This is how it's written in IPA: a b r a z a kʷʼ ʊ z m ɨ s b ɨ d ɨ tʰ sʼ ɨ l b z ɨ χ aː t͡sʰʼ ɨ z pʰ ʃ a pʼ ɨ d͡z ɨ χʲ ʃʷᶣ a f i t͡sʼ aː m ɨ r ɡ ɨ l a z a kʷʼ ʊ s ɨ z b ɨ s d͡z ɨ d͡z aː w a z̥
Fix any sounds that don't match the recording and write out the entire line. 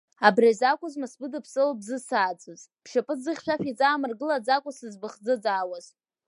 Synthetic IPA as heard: a b r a z a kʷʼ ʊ z m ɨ s b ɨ d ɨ pʰ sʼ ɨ l b z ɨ s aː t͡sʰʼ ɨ z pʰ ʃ a pʼ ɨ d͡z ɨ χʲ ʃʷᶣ a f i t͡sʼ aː m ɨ r ɡ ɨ l a d͡z a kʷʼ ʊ s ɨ z b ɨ χ d͡z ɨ d͡z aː w a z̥